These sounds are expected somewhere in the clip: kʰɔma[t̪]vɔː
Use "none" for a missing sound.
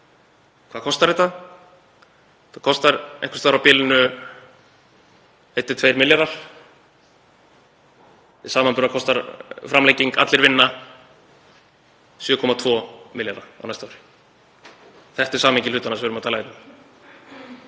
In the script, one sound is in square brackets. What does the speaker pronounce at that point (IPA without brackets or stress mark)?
t̪ʰ